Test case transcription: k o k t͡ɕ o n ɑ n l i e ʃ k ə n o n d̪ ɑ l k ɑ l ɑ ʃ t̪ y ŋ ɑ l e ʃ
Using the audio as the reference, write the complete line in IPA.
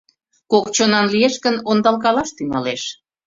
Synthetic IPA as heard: k o k t͡ɕ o n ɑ n l i e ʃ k ə n o n d̪ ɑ l k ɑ l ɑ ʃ t̪ y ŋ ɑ l e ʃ